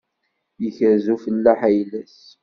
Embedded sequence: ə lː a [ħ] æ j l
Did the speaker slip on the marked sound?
no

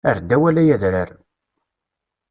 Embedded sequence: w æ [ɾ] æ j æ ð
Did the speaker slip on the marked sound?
yes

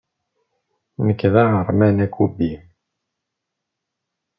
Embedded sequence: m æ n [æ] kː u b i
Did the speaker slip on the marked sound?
no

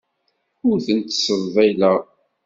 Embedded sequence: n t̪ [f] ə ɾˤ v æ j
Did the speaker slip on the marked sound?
yes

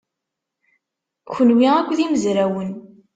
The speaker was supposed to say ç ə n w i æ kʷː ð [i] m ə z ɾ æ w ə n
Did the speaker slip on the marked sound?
no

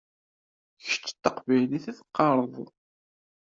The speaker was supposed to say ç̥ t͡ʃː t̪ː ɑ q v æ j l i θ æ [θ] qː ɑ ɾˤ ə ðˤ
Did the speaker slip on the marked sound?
no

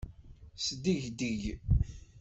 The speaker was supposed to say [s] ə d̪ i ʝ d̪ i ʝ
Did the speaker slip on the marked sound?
no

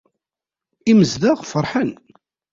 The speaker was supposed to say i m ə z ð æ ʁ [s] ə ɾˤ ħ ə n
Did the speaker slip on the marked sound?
yes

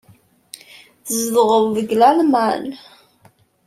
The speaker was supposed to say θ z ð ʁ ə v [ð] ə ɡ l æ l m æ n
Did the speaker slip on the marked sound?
yes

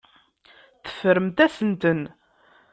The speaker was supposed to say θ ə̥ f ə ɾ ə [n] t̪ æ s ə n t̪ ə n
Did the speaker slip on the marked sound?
yes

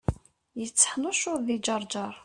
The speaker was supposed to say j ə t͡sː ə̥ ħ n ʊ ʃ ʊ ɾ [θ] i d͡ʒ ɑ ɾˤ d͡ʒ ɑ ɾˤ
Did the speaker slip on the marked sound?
yes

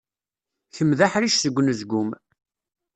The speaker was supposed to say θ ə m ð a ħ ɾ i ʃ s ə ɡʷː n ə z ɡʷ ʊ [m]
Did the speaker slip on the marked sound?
no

